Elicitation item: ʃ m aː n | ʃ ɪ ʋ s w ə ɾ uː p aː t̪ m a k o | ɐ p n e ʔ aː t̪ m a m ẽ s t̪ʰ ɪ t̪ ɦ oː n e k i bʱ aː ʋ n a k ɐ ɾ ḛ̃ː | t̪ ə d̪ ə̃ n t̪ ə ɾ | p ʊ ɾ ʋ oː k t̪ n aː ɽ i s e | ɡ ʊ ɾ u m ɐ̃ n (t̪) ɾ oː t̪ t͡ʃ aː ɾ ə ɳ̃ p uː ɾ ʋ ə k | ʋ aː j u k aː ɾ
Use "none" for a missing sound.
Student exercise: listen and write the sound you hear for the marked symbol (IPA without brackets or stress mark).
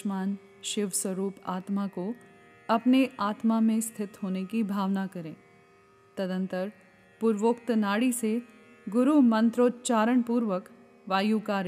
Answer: t̪